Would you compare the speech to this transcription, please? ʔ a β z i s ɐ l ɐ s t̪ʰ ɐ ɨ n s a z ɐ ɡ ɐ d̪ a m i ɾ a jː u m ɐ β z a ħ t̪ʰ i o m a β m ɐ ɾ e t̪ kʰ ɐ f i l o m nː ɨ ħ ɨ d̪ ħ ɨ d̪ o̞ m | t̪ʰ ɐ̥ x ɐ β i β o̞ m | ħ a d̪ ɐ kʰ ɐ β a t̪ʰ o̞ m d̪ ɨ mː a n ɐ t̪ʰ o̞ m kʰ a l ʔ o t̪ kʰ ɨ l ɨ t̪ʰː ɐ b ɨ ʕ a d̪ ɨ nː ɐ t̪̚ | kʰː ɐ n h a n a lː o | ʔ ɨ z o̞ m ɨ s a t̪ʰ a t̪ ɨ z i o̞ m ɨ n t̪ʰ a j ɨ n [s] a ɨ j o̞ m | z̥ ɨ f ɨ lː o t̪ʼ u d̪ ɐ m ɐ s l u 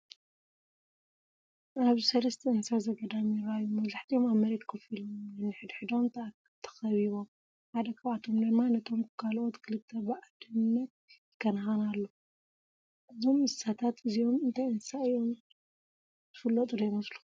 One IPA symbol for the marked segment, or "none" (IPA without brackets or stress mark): s